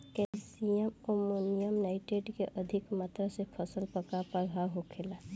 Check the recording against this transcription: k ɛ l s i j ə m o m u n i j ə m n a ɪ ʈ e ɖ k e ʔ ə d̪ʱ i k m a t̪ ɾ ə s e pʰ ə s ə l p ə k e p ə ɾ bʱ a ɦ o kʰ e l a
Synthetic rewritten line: k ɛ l s i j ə m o m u n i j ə m n a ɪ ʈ e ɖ k e ʔ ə d̪ʱ i k m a t̪ ɾ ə s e pʰ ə s ə l p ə k a p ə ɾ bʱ a ɦ o kʰ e l a

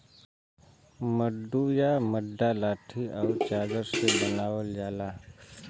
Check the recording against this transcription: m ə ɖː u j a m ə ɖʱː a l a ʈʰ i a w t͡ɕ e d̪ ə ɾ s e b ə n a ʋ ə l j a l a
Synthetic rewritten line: m ə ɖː u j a m ə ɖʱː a l a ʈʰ i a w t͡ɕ a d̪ ə ɾ s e b ə n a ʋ ə l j a l a

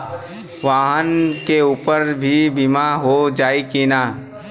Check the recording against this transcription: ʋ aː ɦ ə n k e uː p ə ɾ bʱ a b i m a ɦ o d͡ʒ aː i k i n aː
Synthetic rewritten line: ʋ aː ɦ ə n k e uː p ə ɾ bʱ i b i m a ɦ o d͡ʒ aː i k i n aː

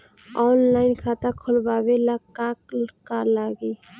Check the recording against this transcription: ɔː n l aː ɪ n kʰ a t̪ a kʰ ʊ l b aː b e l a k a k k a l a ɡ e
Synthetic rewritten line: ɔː n l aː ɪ n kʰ a t̪ a kʰ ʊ l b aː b e l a k a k k a l a ɡ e

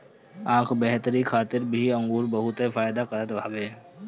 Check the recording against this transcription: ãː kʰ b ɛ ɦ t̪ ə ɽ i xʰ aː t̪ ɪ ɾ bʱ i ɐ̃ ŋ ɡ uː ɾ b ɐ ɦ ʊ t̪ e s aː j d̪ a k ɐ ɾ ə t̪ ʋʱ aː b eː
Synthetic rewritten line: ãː kʰ b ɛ ɦ t̪ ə ɾ i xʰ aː t̪ ɪ ɾ bʱ i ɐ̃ ŋ ɡ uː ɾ b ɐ ɦ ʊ t̪ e f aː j d̪ a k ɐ ɾ ə t̪ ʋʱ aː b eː

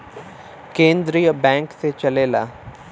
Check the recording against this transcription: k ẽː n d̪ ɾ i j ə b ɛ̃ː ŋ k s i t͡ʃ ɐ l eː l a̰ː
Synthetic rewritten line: k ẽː n d̪ ɾ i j ə b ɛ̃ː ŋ k s e t͡ʃ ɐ l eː l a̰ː

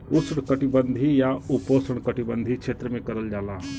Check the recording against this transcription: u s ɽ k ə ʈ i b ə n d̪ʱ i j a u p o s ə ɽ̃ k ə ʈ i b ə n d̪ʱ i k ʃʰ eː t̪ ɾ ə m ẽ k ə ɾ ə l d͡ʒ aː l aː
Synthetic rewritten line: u s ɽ k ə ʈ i b ə n d̪ʱ i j a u p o s ə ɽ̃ k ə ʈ i b ə n d̪ʱ i k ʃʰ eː t̪ ɾ ə m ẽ k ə ɾ ə l d͡ʒ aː l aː

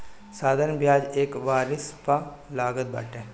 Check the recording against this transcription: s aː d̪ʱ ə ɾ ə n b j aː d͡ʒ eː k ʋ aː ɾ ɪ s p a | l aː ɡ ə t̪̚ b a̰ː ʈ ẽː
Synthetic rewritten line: s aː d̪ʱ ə ɾ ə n b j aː d͡ʒ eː k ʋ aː ɾ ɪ s p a | l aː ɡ ə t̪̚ b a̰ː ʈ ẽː

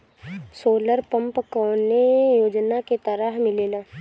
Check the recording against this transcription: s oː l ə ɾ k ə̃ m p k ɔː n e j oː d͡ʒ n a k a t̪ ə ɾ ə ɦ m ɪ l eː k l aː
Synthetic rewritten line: s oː l ə ɾ p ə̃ m p k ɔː n e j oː d͡ʒ n a k e t̪ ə ɾ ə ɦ m ɪ l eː l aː

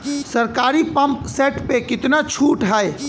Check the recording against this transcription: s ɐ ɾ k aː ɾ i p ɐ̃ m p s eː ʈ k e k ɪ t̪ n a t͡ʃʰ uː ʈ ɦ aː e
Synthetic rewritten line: s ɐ ɾ k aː ɾ i p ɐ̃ m p s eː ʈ p e k ɪ t̪ n a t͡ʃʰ uː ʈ ɦ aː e

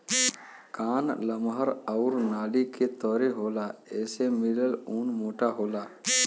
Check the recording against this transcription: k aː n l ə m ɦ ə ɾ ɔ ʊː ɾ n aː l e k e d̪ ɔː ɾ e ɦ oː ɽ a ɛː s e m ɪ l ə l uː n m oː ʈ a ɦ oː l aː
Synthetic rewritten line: k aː n l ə m ɦ ə ɾ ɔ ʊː ɾ n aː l i k e t̪ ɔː ɾ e ɦ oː l a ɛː s e m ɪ l ə l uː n m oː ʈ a ɦ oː l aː

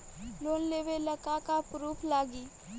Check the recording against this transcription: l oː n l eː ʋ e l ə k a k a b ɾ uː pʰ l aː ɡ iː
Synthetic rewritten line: l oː n l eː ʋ e l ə k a k a p ɾ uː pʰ l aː ɡ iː

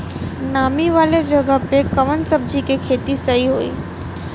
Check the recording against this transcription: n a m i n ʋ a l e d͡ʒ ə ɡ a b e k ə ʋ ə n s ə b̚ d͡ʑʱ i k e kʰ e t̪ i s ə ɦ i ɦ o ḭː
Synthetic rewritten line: n a m i ʋ a l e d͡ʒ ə ɡ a p e k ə ʋ ə n s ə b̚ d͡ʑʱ i k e kʰ e t̪ i s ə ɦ i ɦ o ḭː

